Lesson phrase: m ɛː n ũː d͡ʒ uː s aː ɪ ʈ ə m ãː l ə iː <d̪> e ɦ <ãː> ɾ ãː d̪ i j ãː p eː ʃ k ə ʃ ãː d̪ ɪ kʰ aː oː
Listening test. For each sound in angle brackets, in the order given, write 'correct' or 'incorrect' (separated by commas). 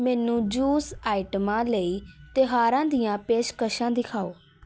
incorrect, incorrect